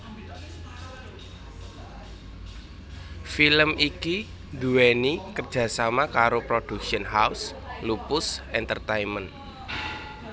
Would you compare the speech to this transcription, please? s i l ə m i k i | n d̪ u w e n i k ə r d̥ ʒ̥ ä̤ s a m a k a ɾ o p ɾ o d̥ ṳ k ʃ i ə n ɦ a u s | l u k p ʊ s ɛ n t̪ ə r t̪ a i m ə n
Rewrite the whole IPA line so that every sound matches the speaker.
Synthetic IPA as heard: f i l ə m i k i | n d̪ u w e n i k ə r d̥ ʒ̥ ä̤ s a m a k a ɾ o p ɾ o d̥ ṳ k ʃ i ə n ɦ a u s | l u p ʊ s ɛ n t̪ ə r t̪ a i m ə n